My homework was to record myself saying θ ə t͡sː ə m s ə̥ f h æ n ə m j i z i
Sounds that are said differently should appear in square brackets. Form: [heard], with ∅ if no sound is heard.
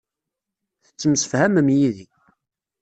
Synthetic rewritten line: θ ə t͡sː ə m s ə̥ f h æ [m] ə m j i [ð] i